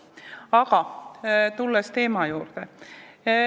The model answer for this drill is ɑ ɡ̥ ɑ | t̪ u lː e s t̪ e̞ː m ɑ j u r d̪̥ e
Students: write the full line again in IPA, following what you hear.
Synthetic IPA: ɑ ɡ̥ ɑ | t̪ u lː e s t̪ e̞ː m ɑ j uː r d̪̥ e